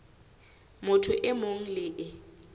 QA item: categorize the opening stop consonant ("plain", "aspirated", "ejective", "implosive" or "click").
aspirated